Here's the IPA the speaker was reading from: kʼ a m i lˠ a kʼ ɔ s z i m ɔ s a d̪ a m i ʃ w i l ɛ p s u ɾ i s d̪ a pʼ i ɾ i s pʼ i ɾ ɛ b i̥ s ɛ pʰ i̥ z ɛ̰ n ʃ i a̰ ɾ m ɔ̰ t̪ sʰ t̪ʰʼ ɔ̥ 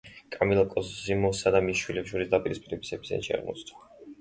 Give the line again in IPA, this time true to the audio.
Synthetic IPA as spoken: kʼ a m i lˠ a kʼ ɔ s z i m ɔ s a d̪ a m i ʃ w i l ɛ p ʃ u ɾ i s d̪ a pʼ i ɾ i s pʼ i ɾ ɛ b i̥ s ɛ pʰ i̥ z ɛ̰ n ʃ i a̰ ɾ m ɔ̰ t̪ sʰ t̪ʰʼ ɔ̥